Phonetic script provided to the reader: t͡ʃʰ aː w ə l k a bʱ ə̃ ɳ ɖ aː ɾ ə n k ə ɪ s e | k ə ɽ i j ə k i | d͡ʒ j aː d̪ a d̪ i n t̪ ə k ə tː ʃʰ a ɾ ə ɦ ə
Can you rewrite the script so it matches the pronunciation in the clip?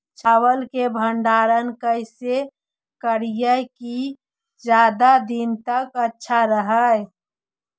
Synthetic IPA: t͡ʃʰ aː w ə l k e bʱ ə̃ ɳ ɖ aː ɾ ə n k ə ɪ s e | k ə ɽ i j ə k i | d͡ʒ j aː d̪ a d̪ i n t̪ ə k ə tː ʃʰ a ɾ ə ɦ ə

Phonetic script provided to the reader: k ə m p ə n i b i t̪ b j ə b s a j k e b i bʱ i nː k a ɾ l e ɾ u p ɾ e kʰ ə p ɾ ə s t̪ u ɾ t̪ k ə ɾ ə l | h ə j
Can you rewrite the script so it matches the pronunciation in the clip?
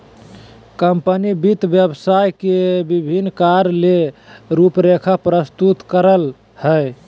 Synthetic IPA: k ə m p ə n i b i t̪ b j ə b s a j k e b i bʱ i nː k a ɾ l e ɾ u p ɾ e kʰ a p ɾ ə s t̪ u t̪ k ə ɾ ə l | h ə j

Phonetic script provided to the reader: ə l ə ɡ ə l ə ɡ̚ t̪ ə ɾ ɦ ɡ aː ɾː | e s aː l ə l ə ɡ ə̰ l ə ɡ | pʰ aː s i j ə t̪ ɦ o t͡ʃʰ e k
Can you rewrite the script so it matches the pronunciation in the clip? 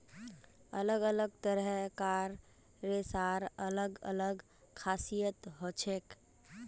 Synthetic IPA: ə l ə ɡ ə l ə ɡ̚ t̪ ə ɾ ɦ k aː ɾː | e s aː ɾ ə l ə ɡ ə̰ l ə ɡ | kʰ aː s i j ə t̪ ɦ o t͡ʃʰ e k

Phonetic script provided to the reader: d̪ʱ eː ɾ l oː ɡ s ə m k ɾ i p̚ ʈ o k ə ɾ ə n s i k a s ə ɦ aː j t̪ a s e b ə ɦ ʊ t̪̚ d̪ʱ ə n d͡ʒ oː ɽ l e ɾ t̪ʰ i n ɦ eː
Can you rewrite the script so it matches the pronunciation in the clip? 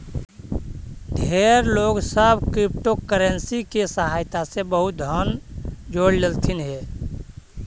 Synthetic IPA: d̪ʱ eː ɾ l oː ɡ s ə b k ɾ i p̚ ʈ o k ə ɾ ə n s i k e s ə ɦ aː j t̪ a s e b ə ɦ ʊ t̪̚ d̪ʱ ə n d͡ʒ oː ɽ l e l t̪ʰ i n ɦ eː

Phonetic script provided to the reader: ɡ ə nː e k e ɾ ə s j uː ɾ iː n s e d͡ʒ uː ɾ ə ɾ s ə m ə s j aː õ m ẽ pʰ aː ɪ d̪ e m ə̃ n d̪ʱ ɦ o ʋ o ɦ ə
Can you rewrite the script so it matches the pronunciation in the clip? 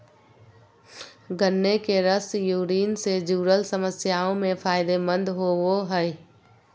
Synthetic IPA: ɡ ə nː e k e ɾ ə s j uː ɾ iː n s e d͡ʒ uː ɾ ə l s ə m ə s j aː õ m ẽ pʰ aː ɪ d̪ e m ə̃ n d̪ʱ ɦ o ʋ o ɦ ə

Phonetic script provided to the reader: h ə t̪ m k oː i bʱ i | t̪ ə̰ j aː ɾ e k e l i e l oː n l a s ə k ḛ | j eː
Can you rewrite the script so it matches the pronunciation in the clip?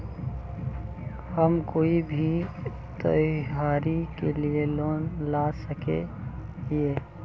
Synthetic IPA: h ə m k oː i bʱ i | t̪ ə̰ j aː ɾ i k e l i e l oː n l a s ə k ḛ | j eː

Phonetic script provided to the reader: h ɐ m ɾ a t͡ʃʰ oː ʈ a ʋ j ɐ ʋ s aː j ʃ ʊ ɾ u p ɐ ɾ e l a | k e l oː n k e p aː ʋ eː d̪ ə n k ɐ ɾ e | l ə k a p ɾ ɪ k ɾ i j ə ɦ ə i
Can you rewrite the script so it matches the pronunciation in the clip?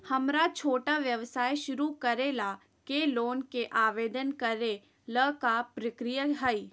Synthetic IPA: h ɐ m ɾ a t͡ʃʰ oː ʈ a ʋ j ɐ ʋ s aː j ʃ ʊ ɾ u k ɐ ɾ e l a | k e l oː n k e ʔ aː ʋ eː d̪ ə n k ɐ ɾ e | l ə k a p ɾ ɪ k ɾ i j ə ɦ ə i

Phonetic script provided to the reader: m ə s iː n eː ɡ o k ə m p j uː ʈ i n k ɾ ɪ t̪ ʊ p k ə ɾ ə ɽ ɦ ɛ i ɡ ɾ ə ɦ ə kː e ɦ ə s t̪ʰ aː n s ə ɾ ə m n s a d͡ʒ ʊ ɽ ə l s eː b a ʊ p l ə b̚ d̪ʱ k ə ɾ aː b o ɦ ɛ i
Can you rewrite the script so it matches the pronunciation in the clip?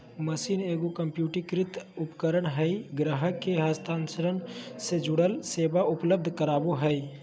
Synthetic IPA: m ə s iː n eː ɡ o k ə m p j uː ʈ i k ɾ ɪ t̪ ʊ p k ə ɾ ə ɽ ɦ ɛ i ɡ ɾ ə ɦ ə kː e ɦ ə s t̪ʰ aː n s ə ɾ ə n s e d͡ʒ ʊ ɽ ə l s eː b a ʊ p l ə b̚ d̪ʱ k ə ɾ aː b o ɦ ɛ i

